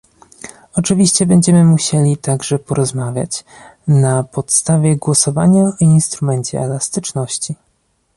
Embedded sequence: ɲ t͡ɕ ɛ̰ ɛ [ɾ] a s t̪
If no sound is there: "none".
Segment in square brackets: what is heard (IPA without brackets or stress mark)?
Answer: l